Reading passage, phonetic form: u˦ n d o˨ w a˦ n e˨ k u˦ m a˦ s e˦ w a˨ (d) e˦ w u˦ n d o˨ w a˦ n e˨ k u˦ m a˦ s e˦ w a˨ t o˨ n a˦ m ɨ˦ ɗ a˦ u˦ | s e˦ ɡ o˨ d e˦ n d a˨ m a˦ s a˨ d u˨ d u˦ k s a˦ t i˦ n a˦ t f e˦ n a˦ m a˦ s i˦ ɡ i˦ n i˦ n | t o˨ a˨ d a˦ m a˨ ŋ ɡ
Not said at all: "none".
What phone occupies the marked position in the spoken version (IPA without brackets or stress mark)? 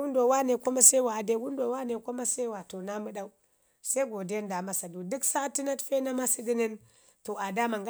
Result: d